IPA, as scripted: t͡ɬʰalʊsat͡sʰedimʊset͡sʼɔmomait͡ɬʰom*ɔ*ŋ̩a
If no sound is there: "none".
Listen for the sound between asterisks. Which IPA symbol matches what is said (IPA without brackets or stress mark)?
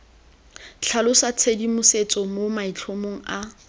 o